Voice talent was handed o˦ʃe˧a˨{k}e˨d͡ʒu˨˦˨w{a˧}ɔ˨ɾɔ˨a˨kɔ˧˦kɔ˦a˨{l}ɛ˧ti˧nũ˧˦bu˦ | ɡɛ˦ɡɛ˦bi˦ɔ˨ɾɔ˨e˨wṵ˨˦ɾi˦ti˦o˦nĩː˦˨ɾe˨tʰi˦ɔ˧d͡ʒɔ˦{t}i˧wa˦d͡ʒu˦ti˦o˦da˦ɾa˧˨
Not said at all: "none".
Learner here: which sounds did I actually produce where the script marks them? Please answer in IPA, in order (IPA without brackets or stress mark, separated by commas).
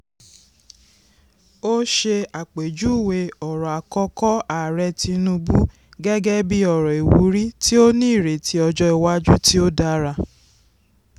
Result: k͡p, e˧, ɾ, none